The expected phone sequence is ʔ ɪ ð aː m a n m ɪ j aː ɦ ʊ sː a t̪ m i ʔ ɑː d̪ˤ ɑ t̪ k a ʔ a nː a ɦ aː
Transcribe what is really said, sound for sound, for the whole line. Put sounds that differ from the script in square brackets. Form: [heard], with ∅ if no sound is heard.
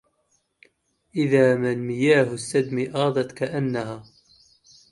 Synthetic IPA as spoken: ʔ ɪ ð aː m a n m ɪ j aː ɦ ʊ sː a [d̪] m i ʔ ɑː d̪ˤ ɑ t̪ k a ʔ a nː a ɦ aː